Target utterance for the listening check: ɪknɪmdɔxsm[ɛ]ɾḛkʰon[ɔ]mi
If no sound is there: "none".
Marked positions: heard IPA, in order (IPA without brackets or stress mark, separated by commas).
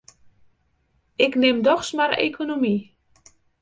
a, o